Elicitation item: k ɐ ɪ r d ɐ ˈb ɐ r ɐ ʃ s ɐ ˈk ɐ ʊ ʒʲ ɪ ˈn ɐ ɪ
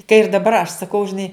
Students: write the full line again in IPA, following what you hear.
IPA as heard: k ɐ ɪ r d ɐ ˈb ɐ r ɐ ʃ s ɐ ˈk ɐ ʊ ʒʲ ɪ ˈn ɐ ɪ

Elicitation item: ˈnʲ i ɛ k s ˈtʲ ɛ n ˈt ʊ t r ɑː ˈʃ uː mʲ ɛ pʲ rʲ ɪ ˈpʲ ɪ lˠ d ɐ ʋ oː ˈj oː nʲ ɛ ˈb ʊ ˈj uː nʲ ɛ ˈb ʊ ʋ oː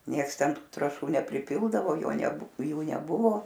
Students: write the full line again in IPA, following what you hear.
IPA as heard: ˈnʲ i ɛ k s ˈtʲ ɛ n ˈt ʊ t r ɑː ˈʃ uː nʲ ɛ pʲ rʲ ɪ ˈpʲ ɪ lˠ d ɐ ʋ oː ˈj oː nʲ ɛ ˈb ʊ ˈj uː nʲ ɛ ˈb ʊ ʋ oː

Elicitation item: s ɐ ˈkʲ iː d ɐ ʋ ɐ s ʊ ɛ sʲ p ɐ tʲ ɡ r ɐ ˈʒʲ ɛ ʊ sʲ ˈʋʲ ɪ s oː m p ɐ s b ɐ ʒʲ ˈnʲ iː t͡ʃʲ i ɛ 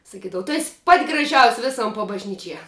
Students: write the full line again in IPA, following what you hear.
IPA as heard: s ɐ ˈkʲ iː d ɐ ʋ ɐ t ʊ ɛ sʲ p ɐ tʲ ɡ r ɐ ˈʒʲ ɛ ʊ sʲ ˈʋʲ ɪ s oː m p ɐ b ɐ ʒʲ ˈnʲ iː t͡ʃʲ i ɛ

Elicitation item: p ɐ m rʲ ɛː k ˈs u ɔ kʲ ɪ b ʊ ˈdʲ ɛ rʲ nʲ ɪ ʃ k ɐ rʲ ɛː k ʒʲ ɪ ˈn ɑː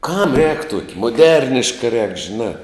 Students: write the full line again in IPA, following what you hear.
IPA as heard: k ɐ m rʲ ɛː k ˈt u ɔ kʲ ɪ m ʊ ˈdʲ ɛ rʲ nʲ ɪ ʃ k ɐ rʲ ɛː k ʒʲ ɪ ˈn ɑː

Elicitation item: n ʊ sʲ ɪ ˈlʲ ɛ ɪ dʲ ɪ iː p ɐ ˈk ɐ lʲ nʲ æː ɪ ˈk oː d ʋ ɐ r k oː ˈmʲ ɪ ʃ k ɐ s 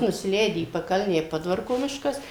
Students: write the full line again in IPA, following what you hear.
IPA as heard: n ʊ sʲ ɪ ˈlʲ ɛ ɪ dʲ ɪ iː p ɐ ˈk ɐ lʲ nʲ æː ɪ ˈp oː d ʋ ɐ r k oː ˈmʲ ɪ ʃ k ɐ s

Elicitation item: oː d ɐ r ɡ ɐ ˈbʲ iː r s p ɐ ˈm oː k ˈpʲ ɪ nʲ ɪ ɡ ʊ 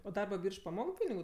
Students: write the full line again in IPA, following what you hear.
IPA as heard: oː d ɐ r b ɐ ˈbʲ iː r ʃ p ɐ ˈm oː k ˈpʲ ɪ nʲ ɪ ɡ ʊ

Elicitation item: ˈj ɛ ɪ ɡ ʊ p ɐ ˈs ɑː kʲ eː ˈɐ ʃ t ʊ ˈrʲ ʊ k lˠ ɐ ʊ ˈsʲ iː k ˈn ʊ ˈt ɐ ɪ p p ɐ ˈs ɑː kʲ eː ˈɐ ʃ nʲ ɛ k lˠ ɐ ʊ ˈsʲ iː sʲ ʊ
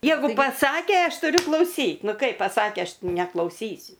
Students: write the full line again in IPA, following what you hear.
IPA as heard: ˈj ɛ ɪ ɡ ʊ p ɐ ˈs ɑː kʲ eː ˈɐ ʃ t ʊ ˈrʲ ʊ k lˠ ɐ ʊ ˈsʲ iː t ˈn ʊ ˈk ɐ ɪ p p ɐ ˈs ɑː kʲ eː ˈɐ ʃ nʲ ɛ k lˠ ɐ ʊ ˈsʲ iː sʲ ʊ

